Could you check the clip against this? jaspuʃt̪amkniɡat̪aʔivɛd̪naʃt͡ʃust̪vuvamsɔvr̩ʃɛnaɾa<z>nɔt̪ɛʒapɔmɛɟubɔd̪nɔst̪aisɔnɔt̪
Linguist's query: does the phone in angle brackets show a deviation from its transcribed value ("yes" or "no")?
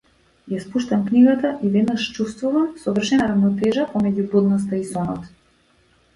yes